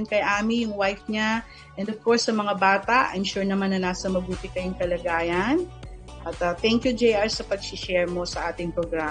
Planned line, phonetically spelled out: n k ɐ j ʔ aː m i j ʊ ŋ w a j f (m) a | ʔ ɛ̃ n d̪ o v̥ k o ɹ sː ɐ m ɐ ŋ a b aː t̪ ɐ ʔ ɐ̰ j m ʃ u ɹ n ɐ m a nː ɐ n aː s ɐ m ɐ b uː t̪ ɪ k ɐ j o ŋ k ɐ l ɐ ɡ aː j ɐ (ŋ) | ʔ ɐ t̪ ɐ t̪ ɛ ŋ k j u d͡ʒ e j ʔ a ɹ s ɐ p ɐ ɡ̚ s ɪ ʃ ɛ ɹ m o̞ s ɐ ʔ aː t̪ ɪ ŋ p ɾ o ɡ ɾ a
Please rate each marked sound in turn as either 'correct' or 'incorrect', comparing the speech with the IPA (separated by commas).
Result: incorrect, incorrect